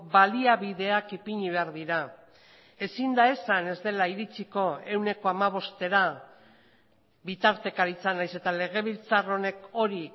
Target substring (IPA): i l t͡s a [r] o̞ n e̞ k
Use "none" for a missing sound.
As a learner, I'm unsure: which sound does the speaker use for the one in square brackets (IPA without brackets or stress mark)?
r